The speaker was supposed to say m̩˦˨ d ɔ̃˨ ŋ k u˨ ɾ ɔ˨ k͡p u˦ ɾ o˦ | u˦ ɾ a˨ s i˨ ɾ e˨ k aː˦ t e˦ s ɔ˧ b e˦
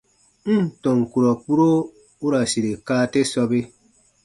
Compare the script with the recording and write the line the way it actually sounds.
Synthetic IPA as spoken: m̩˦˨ t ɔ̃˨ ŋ k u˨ ɾ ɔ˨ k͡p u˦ ɾ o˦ | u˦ ɾ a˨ s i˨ ɾ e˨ k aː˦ t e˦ s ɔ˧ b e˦